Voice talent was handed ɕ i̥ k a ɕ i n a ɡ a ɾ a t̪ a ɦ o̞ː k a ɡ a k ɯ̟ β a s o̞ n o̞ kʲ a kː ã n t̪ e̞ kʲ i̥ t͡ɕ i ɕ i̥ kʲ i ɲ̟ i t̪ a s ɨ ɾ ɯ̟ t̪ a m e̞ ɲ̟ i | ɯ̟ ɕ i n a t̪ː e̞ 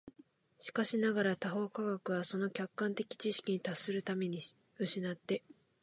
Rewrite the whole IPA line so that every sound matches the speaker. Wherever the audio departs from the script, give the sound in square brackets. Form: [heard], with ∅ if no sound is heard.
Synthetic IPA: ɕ i̥ k a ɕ i n a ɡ a ɾ a t̪ a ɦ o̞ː k a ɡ a k ɯ̟ β a s o̞ n o̞ kʲ a kː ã n t̪ e̞ kʲ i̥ t͡ɕ i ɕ i̥ kʲ i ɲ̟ i t̪ a s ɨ ɾ ɯ̟ t̪ a m e̞ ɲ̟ i | ɯ̟ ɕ i n a t̪ː e̞